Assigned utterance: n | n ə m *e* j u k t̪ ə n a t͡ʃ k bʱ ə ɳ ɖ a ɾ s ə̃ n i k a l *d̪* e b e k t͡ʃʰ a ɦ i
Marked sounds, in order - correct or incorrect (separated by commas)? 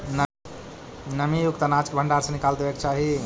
incorrect, correct